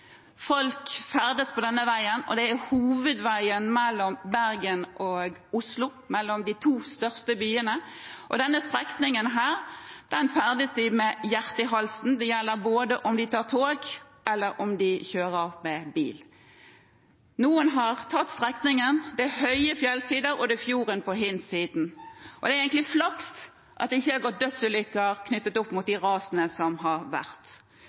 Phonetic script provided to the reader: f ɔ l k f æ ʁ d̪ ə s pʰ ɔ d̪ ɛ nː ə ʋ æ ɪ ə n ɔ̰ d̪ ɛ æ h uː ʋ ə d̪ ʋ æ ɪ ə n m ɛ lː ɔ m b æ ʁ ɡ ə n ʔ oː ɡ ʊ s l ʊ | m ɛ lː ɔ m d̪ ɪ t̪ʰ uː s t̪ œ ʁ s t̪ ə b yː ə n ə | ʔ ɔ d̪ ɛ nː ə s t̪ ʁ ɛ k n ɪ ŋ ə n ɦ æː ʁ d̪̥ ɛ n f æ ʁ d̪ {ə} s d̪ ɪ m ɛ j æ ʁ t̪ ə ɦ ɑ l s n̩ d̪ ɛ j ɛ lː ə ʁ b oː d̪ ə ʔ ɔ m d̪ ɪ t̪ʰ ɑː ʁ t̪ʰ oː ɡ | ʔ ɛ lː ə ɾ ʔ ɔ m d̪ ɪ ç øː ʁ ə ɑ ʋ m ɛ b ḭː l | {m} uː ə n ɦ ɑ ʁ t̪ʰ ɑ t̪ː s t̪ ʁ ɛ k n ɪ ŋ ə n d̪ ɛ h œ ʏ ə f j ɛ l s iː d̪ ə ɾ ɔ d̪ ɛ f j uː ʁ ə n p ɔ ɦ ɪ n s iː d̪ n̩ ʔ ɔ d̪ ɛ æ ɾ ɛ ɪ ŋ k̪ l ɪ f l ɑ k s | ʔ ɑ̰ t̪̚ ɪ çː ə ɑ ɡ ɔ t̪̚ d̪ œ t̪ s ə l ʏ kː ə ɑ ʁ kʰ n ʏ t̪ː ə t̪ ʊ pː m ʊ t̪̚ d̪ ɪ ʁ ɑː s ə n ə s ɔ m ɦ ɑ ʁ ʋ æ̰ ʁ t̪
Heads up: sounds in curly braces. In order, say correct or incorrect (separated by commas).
correct, incorrect